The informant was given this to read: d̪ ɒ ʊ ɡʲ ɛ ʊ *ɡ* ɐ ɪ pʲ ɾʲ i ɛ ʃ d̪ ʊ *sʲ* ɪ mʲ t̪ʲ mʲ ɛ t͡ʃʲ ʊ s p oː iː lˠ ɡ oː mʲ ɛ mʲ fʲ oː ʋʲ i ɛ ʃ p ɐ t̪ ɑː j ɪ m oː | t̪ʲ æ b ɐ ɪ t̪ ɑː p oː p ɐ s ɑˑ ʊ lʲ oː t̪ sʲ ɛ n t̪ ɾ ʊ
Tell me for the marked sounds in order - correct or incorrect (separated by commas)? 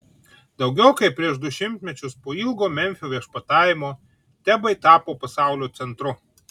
incorrect, incorrect